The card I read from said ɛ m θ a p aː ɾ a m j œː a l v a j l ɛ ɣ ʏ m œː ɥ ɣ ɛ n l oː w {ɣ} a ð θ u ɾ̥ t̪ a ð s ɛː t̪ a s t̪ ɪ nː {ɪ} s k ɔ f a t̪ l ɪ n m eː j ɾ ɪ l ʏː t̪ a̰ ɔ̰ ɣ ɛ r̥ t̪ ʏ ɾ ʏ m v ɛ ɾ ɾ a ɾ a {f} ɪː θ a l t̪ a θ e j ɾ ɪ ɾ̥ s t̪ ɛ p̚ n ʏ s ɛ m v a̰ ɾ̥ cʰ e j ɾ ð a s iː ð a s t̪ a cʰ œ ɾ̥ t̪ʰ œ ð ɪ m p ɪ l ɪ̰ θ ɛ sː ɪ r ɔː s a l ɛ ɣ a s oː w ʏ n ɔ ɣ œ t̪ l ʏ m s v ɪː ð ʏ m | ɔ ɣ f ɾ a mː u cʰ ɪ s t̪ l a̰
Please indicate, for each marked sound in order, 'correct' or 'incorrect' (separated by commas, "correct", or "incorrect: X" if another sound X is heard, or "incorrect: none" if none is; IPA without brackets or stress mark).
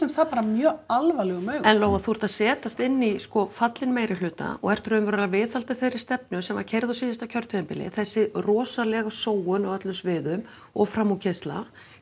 correct, incorrect: i, incorrect: v